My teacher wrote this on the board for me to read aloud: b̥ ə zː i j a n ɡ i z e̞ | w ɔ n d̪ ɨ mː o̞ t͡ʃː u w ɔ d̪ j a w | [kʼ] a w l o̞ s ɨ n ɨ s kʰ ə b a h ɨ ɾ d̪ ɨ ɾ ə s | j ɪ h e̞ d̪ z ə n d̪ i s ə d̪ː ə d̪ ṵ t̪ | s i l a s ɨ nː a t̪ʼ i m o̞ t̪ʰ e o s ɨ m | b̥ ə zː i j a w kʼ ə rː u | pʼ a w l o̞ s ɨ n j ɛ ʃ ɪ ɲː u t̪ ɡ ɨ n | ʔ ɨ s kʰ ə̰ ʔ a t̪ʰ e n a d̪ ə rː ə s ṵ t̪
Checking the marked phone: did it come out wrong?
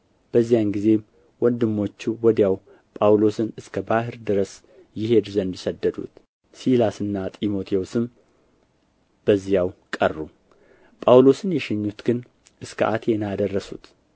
yes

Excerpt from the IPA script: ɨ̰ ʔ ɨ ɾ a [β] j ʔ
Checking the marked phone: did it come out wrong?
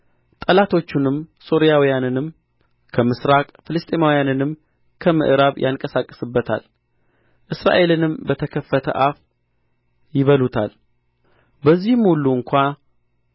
no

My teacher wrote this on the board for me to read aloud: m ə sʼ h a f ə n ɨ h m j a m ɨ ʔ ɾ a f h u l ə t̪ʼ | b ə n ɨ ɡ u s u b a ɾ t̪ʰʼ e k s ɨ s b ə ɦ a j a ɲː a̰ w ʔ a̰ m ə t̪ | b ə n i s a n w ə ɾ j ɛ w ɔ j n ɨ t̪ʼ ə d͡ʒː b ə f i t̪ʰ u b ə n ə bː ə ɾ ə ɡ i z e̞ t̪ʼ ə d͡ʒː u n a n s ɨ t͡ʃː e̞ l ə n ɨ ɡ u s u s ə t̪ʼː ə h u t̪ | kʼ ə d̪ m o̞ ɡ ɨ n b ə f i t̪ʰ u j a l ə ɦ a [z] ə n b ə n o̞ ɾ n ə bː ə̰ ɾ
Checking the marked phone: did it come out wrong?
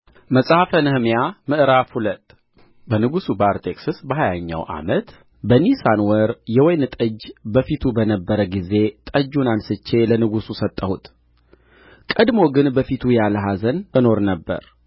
no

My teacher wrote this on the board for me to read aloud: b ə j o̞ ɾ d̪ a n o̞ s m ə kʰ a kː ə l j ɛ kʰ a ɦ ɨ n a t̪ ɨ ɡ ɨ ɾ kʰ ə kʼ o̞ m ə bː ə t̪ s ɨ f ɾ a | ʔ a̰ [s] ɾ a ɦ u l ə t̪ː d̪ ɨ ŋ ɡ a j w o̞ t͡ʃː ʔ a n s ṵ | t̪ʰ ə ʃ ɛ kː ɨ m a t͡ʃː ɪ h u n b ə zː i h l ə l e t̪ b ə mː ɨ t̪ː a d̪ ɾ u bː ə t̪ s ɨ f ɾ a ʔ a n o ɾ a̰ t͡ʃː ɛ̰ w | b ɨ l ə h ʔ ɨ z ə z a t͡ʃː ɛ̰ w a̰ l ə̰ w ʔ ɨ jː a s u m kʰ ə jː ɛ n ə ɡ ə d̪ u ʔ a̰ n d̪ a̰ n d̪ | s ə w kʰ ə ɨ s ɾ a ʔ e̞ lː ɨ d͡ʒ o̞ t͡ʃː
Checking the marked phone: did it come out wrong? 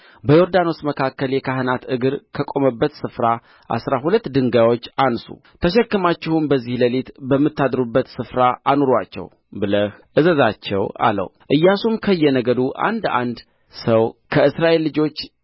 no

